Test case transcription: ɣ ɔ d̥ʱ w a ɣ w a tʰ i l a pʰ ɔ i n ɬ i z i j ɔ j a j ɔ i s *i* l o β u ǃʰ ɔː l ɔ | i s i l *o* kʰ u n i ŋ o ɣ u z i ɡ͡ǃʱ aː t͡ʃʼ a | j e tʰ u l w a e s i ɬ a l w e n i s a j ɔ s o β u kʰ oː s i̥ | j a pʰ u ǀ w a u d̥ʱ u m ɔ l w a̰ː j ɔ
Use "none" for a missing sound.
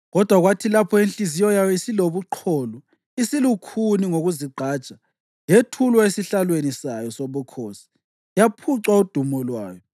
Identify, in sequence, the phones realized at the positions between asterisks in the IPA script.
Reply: i, u

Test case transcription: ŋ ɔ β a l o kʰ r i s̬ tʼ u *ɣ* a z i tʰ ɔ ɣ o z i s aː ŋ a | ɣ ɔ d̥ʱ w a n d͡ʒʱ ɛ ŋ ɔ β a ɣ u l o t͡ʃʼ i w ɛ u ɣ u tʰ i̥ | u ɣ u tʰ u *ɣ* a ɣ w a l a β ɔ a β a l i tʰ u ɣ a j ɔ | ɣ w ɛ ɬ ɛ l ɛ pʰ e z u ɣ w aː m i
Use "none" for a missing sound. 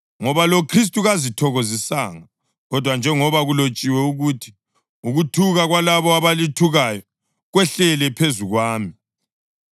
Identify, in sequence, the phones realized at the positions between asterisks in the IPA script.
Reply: ɣ, ɣ

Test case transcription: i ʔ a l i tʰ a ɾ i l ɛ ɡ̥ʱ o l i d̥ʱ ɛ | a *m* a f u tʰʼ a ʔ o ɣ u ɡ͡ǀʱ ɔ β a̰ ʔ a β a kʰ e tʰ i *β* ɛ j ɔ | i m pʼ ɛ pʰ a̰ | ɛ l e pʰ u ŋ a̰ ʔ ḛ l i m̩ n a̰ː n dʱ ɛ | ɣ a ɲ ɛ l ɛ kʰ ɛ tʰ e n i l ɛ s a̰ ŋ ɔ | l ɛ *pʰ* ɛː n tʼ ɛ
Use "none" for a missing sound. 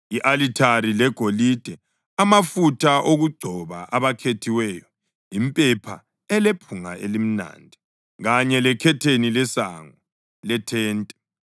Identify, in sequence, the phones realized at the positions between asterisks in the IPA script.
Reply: m, w, tʰ

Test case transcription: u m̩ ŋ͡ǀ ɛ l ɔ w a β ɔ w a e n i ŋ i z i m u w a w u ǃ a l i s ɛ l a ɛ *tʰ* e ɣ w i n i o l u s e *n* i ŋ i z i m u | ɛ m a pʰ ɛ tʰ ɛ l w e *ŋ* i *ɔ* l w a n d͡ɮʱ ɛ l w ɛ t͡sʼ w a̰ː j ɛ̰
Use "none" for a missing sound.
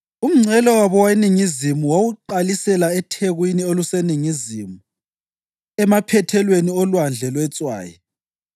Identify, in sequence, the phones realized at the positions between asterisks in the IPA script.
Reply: tʰ, n, n, ɔ

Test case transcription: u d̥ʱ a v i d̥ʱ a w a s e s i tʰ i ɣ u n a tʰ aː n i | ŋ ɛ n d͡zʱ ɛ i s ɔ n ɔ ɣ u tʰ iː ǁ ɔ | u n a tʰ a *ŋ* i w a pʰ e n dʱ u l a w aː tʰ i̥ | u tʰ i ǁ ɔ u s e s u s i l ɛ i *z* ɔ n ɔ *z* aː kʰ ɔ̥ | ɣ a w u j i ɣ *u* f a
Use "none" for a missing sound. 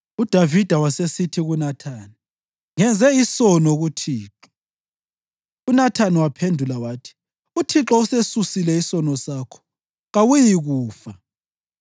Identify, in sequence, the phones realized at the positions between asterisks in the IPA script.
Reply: n, s, s, uː

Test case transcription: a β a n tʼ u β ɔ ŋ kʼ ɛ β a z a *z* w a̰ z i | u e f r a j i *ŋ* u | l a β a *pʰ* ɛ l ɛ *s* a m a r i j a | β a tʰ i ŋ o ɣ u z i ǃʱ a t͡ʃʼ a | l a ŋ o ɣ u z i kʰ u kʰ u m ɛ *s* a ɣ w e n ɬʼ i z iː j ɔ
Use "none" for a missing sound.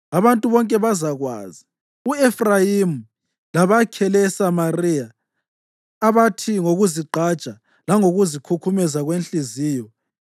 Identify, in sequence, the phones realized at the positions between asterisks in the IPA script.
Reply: ɣ, m, kʰ, s, z

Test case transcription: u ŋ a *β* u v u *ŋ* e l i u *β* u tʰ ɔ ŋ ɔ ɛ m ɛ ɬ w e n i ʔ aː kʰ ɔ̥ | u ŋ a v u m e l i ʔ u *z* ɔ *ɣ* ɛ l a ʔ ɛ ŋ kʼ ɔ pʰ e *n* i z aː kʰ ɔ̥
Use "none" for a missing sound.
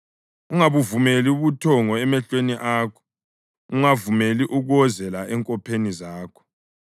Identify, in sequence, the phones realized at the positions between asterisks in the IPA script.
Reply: β, m, β, ɣ, z, n

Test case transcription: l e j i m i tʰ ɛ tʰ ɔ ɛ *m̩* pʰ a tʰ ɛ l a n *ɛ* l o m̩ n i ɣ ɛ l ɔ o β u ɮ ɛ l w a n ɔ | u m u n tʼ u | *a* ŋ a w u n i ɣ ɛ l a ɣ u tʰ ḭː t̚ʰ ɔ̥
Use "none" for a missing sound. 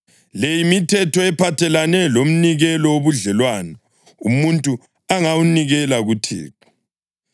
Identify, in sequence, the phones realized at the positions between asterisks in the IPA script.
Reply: none, ɛ, a

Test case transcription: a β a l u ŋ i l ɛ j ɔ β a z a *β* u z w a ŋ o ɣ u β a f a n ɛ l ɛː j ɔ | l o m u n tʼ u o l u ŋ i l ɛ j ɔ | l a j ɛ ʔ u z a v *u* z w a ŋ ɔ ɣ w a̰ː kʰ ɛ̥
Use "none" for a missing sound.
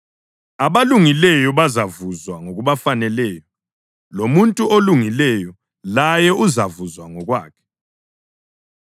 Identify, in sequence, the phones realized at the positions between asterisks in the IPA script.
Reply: v, u

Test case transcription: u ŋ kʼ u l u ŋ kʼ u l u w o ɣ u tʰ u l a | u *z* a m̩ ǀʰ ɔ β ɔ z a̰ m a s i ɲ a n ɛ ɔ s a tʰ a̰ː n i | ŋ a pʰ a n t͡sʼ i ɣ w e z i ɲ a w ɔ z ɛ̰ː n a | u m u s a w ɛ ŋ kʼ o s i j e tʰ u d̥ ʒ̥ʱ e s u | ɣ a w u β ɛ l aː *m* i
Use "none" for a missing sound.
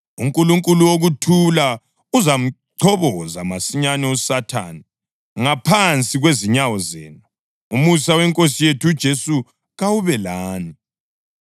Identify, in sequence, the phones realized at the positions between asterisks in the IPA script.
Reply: z, n

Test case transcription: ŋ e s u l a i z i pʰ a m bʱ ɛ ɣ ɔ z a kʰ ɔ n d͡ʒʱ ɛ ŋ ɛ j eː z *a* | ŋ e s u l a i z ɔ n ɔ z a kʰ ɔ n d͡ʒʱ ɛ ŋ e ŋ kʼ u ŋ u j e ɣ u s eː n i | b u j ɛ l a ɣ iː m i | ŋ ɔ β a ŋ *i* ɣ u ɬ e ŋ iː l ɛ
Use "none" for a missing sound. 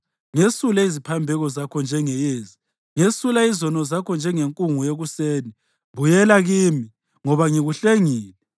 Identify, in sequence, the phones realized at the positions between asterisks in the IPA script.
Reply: i, i

